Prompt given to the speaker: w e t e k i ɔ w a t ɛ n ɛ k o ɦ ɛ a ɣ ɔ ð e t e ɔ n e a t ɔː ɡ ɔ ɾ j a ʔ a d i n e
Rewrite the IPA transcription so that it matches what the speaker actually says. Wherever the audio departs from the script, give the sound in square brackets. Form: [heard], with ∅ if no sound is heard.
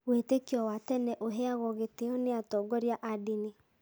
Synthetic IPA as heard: w e t e k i ɔ w a t ɛ n ɛ [ʔ] o ɦ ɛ a ɣ ɔ [ɣ] e t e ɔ n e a t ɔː ɡ ɔ ɾ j a ʔ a d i n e